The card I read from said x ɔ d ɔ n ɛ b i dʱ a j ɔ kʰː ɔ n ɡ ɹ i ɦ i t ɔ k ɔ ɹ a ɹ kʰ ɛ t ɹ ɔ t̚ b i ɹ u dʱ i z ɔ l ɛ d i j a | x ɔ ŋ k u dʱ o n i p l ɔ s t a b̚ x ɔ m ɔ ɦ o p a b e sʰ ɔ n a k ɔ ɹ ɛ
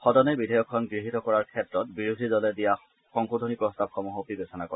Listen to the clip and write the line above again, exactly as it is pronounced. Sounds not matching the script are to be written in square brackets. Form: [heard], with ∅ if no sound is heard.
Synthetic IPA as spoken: x ɔ d ɔ n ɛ b i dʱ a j ɔ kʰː ɔ n ɡ ɹ i ɦ i t ɔ k ɔ ɹ a ɹ kʰ ɛ t ɹ ɔ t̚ b i ɹ u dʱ i z ɔ l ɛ d i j a | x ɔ ŋ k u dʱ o n i p [ɹ] ɔ s t a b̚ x ɔ m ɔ ɦ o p [i] b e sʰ ɔ n a k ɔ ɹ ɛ